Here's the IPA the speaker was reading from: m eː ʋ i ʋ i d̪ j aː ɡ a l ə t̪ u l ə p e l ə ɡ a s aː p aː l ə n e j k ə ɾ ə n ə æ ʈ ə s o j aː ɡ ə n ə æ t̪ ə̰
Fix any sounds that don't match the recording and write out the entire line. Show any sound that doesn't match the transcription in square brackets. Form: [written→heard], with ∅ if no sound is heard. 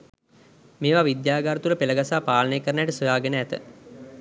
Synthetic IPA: m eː ʋ [i→a] ʋ i d̪ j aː ɡ a [l→ɾ] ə t̪ u l ə p e l ə ɡ a s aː p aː l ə n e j k ə ɾ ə n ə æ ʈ ə s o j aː ɡ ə n ə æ t̪ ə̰